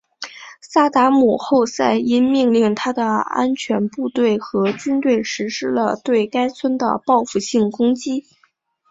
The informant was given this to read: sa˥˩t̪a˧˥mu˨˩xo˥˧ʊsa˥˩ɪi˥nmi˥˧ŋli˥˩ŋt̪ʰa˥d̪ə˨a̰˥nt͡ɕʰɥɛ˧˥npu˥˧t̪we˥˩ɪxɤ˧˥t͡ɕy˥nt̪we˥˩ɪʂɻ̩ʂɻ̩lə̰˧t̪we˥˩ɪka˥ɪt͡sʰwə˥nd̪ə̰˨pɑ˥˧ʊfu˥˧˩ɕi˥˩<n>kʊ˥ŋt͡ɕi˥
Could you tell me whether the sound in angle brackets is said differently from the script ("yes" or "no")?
yes